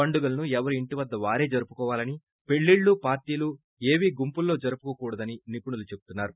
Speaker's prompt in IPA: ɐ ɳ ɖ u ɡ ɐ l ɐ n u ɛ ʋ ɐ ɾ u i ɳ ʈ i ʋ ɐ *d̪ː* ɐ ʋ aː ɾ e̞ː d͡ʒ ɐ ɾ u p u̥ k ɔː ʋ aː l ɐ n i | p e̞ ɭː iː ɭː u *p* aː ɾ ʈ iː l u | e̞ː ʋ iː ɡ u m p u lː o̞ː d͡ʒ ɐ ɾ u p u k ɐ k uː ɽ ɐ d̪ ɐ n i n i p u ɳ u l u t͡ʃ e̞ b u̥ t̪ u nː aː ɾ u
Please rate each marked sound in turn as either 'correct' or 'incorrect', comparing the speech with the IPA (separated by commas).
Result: correct, correct